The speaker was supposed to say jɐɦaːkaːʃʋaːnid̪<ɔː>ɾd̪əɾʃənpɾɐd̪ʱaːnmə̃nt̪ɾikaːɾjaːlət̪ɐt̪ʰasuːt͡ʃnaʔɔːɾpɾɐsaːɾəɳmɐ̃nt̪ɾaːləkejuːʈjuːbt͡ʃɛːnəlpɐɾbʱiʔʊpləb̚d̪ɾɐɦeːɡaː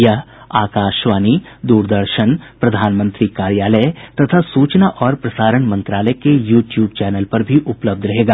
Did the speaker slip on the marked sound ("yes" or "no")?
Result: yes